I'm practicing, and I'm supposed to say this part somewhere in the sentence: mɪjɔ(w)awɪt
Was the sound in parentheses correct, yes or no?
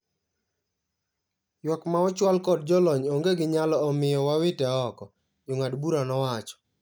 yes